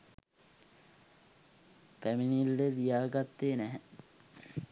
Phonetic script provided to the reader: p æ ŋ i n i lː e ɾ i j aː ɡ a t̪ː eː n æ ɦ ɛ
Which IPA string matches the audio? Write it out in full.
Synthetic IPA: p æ m i n i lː e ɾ i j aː ɡ a t̪ː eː n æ ɦ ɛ